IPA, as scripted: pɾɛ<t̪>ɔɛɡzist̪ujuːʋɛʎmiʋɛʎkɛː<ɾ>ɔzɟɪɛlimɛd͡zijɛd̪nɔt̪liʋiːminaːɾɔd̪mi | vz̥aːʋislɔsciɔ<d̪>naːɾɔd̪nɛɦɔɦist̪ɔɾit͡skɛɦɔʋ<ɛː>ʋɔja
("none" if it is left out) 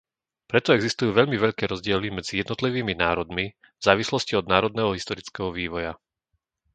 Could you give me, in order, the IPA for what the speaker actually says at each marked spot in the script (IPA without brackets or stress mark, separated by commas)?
t̪, ɾ, d̪, iː